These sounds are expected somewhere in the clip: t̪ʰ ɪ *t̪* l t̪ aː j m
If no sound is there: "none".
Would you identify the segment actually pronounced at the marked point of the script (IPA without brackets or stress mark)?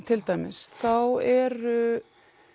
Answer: none